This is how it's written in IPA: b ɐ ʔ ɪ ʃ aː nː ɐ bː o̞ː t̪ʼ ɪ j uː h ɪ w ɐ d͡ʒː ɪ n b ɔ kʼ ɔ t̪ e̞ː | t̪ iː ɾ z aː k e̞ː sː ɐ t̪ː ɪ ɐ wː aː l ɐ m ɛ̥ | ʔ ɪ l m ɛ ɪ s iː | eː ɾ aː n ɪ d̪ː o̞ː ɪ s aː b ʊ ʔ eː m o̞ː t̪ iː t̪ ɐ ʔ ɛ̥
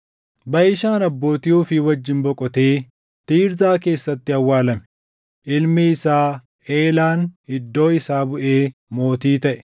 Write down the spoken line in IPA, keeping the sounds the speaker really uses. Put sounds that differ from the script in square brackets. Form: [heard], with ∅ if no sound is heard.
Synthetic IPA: b ɐ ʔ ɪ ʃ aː [n] ɐ bː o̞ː [t̪] ɪ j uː [f] ɪ w ɐ d͡ʒː ɪ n b ɔ kʼ ɔ t̪ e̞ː | t̪ iː ɾ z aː k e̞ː sː ɐ t̪ː ɪ ɐ wː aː l ɐ m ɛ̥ | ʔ ɪ l m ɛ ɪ s [aː] | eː [l] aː n ɪ d̪ː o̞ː ɪ s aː b ʊ ʔ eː m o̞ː t̪ iː t̪ ɐ ʔ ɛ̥

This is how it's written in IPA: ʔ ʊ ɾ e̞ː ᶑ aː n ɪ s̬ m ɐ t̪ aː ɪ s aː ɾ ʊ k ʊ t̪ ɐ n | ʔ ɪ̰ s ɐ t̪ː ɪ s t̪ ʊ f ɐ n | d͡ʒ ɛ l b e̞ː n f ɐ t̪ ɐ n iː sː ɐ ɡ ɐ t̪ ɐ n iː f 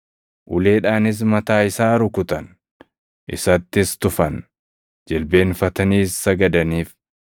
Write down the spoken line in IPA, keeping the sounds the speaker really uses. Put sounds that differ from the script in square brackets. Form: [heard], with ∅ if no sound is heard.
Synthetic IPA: ʔ ʊ [l] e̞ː ᶑ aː n ɪ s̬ m ɐ t̪ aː ɪ s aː ɾ ʊ k ʊ t̪ ɐ n | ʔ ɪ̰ s ɐ t̪ː ɪ s t̪ ʊ f ɐ n | d͡ʒ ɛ l b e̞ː n f ɐ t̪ ɐ n iː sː ɐ ɡ ɐ [d̪] ɐ n iː f

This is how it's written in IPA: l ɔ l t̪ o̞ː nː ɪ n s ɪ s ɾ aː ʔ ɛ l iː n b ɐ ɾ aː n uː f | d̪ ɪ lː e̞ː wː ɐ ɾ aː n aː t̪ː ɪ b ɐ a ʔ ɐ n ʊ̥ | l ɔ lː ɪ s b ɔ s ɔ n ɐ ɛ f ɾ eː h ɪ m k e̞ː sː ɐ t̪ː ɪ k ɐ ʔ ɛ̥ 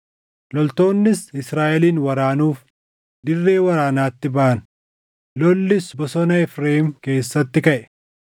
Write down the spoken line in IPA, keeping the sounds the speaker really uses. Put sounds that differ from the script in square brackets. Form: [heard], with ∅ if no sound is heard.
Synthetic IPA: l ɔ l t̪ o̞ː nː ɪ [∅] s ɪ s ɾ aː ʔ ɛ l iː n [w] ɐ ɾ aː n uː f | d̪ ɪ [rː] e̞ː [w] ɐ ɾ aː n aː t̪ː ɪ b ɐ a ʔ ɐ n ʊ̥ | l ɔ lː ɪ s b ɔ s ɔ n ɐ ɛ f ɾ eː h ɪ m k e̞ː sː ɐ t̪ː ɪ k ɐ ʔ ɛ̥

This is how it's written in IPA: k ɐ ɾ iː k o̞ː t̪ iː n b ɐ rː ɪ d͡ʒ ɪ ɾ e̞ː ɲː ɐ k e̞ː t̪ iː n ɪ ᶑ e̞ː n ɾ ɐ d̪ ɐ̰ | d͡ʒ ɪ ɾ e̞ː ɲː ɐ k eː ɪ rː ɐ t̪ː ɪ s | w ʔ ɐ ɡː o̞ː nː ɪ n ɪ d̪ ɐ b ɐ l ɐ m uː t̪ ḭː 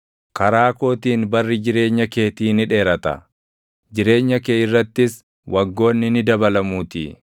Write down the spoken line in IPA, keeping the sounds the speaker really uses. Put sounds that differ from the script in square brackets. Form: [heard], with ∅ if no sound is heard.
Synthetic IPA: k ɐ ɾ [aː] k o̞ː t̪ iː n b ɐ rː ɪ d͡ʒ ɪ ɾ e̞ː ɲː ɐ k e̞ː t̪ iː n ɪ ᶑ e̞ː [∅] ɾ ɐ [t̪] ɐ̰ | d͡ʒ ɪ ɾ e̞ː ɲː ɐ k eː ɪ rː ɐ t̪ː ɪ s | w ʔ ɐ ɡː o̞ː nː ɪ n ɪ d̪ ɐ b ɐ l ɐ m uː t̪ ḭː

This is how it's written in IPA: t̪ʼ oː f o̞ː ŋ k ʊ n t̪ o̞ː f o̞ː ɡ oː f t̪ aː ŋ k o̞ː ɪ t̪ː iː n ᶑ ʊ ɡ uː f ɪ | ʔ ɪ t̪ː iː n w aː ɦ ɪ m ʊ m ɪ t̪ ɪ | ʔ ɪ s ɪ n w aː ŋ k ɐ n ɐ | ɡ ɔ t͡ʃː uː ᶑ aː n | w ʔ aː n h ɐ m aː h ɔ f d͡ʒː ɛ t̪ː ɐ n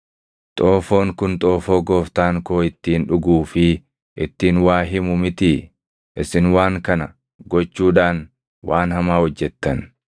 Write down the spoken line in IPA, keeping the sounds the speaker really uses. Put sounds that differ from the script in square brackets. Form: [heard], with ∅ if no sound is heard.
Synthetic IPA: t̪ʼ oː f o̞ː ŋ k ʊ n [t̪ʼ] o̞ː f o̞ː ɡ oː f t̪ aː ŋ k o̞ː ɪ t̪ː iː n ᶑ ʊ ɡ uː f ɪ | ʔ ɪ t̪ː iː n w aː ɦ ɪ m ʊ m ɪ t̪ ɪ | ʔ ɪ s ɪ n w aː ŋ k ɐ n ɐ | ɡ ɔ t͡ʃː uː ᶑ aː n | w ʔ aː n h ɐ m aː h ɔ [∅] d͡ʒː ɛ t̪ː ɐ n

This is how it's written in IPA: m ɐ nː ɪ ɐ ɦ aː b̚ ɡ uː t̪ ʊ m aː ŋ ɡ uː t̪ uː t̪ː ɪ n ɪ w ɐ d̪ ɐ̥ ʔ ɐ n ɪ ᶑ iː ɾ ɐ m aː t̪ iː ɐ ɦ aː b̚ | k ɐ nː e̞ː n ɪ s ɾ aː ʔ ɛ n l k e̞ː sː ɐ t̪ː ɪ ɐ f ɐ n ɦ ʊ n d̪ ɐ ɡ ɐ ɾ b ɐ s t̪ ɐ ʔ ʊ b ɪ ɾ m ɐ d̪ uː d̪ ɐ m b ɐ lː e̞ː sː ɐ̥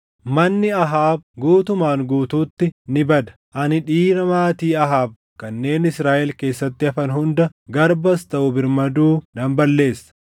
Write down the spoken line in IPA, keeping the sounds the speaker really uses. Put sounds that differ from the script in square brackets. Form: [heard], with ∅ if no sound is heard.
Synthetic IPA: m ɐ nː ɪ ɐ ɦ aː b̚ ɡ uː t̪ ʊ m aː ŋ ɡ uː t̪ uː t̪ː ɪ n ɪ [b] ɐ d̪ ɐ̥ ʔ ɐ n ɪ ᶑ iː ɾ ɐ m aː t̪ iː ɐ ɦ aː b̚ | k ɐ nː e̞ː n ɪ s ɾ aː ʔ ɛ [∅] l k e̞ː sː ɐ t̪ː ɪ ɐ f ɐ n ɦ ʊ n d̪ ɐ ɡ ɐ ɾ b ɐ s t̪ ɐ ʔ ʊ b ɪ ɾ m ɐ d̪ uː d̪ ɐ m b ɐ lː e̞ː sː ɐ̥

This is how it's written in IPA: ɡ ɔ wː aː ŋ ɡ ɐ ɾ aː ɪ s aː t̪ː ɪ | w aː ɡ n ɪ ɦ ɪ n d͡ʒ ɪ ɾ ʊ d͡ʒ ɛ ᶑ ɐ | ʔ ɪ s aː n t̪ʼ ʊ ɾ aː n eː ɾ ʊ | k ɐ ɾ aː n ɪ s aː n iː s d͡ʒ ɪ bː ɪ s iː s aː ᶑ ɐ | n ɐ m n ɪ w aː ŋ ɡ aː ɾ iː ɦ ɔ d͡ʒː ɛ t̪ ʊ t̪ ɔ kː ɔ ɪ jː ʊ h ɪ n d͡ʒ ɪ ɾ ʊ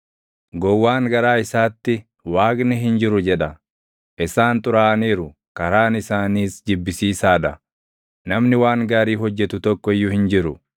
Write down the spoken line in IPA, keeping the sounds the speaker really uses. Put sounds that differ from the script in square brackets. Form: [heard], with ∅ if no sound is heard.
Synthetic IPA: ɡ ɔ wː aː ŋ ɡ ɐ ɾ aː ɪ s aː t̪ː ɪ | w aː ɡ n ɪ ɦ ɪ n d͡ʒ ɪ ɾ ʊ d͡ʒ ɛ ᶑ ɐ | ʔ ɪ s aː n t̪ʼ ʊ ɾ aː n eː ɾ ʊ | k ɐ ɾ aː n ɪ s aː n iː s d͡ʒ ɪ bː ɪ s iː s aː ᶑ ɐ | n ɐ m n ɪ w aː ŋ ɡ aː ɾ iː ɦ ɔ d͡ʒː ɛ t̪ ʊ t̪ ɔ kː ɔ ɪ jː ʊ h ɪ n d͡ʒ ɪ ɾ ʊ

